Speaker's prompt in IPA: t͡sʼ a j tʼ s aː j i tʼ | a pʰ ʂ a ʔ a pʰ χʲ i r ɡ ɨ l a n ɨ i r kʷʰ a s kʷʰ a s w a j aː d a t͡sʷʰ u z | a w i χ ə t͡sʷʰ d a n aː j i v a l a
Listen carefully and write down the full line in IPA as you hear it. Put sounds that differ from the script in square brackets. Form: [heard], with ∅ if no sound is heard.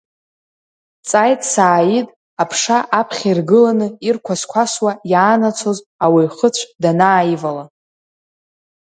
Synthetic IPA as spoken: t͡sʼ a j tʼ s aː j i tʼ | a pʰ ʂ a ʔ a pʰ χʲ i r ɡ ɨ l a n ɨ i r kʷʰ a s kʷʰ a s w a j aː [n] a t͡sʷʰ [o] z | a w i χ ə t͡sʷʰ d a n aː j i v a l a